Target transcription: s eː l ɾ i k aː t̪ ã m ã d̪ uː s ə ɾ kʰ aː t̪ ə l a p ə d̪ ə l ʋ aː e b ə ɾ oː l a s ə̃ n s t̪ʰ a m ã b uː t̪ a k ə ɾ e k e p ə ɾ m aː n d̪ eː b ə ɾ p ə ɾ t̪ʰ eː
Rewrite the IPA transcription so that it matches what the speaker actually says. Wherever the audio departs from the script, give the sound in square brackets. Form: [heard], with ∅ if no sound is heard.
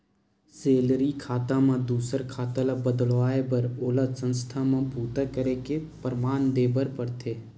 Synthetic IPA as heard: s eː l ɾ i [kʰ] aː t̪ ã m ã d̪ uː s ə ɾ kʰ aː t̪ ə l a [b] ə d̪ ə l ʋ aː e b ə ɾ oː l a s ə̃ n s t̪ʰ a m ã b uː t̪ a k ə ɾ e k e p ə ɾ m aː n d̪ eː b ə ɾ p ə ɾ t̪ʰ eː